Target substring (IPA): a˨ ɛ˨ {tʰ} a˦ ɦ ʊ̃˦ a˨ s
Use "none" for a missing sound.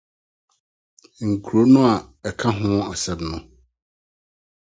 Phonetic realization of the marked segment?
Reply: kʰ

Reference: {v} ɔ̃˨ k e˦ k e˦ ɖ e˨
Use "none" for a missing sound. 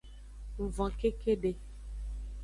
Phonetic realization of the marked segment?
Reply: v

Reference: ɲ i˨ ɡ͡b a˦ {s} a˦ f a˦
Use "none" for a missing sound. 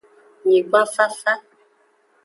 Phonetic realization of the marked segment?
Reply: f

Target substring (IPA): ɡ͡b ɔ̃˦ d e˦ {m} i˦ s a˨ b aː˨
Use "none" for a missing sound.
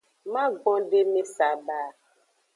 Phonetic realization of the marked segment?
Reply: m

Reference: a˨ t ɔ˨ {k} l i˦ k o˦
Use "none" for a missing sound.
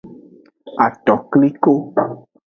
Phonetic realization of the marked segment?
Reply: k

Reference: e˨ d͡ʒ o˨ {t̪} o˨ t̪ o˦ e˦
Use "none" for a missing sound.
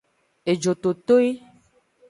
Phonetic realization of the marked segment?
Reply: t̪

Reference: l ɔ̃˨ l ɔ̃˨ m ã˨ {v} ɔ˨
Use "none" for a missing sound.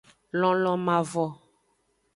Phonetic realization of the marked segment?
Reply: v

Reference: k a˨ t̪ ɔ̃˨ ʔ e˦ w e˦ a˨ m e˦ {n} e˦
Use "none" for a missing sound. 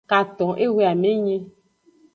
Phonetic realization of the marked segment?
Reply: ɲ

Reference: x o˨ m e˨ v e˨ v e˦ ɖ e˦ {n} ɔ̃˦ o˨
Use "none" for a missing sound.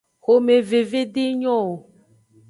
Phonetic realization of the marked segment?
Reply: ɲ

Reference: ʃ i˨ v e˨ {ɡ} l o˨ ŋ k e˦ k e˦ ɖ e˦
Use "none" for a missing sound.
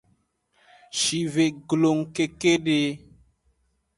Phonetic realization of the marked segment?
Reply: ɡ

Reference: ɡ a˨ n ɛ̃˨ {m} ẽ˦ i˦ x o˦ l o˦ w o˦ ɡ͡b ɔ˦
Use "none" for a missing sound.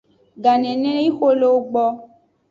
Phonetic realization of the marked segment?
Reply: n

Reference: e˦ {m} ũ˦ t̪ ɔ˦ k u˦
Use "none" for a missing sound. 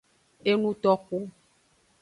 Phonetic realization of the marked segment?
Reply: n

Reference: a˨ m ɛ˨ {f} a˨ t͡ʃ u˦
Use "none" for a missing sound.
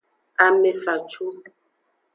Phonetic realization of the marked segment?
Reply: f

